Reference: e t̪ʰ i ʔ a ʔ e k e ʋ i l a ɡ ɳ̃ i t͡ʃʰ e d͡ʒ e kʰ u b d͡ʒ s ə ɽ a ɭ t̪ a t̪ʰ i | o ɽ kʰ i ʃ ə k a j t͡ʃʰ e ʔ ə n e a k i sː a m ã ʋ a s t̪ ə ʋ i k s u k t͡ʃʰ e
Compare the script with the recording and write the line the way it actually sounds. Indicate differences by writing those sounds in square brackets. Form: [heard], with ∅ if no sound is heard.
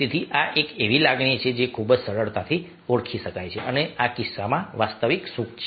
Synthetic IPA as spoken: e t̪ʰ i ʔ a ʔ e k e ʋ i l a ɡ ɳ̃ i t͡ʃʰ e d͡ʒ e kʰ u b d͡ʒ s ə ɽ [ə] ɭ t̪ a t̪ʰ i | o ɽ kʰ i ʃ ə k a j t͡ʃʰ e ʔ ə n e a k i sː a m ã ʋ a s t̪ ə ʋ i k s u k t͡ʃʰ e